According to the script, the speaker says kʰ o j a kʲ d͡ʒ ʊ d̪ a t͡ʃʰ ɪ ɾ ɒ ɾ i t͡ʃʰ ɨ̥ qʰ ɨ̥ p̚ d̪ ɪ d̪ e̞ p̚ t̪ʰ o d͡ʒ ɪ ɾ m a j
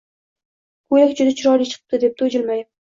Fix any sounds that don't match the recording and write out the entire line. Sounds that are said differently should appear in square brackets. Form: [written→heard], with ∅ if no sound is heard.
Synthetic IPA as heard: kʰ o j a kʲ d͡ʒ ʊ d̪ a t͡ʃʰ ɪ ɾ ɒ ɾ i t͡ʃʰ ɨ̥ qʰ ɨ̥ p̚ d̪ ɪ d̪ e̞ p̚ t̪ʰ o d͡ʒ ɪ [ɾ→l] m a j